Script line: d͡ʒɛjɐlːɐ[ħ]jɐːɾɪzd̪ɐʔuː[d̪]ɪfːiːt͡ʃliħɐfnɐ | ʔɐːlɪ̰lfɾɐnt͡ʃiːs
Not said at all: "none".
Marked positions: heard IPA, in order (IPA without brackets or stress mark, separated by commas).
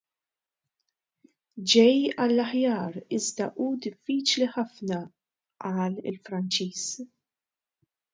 ħ, d̪